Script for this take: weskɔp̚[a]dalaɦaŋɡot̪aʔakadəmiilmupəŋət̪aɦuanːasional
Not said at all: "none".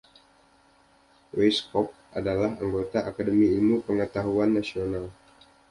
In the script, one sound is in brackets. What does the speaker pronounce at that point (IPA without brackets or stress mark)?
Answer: a